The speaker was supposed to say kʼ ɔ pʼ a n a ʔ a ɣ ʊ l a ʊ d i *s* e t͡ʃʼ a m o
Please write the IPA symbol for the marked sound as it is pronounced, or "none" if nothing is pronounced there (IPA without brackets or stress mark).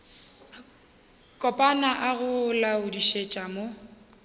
ʃ